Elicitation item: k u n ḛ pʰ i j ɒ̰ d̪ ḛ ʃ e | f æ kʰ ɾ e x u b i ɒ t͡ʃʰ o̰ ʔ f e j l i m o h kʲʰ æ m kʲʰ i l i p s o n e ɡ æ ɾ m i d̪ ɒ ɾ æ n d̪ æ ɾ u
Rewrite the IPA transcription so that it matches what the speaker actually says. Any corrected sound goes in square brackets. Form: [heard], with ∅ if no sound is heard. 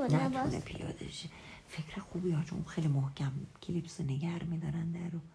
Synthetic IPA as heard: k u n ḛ pʰ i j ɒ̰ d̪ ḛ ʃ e | f [e] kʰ ɾ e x u b i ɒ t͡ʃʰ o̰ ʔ [x] e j l i m o h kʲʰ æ m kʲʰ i l i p s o n e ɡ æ ɾ m i d̪ ɒ ɾ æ n d̪ æ ɾ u